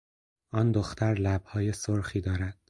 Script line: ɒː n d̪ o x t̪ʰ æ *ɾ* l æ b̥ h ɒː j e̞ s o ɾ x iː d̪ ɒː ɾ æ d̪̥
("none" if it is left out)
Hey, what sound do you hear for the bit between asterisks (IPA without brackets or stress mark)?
ɾ